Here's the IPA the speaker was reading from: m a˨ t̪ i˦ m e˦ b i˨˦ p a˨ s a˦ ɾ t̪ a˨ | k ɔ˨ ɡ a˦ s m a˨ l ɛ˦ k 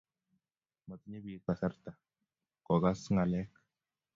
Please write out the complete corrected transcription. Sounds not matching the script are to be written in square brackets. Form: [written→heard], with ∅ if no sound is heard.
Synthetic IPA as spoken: m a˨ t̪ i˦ [m→ɲ] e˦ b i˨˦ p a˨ s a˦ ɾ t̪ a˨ | k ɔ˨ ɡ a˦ s [m→ŋ] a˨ l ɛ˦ k